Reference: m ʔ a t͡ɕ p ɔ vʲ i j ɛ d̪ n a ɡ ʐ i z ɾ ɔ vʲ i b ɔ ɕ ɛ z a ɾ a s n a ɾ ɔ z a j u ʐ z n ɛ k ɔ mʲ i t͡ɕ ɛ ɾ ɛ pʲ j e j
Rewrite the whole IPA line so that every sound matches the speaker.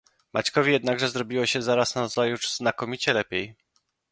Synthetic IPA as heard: m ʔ a t͡ɕ k ɔ vʲ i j ɛ d̪ n a ɡ ʐ ɛ z ɾ ɔ bʲ i w ɔ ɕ ɛ z a ɾ a s n a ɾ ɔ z a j u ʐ z n a k ɔ mʲ i t͡ɕ ɛ l ɛ pʲ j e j